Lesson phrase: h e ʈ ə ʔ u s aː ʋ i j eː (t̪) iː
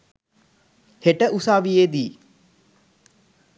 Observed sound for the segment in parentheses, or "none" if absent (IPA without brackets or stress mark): d̪